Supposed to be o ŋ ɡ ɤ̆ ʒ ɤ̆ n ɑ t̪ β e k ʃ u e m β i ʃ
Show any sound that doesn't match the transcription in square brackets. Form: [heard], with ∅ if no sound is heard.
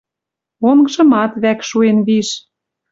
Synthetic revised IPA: o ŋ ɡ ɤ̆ ʒ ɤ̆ [m] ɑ t̪ β [æ] k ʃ u e [n] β i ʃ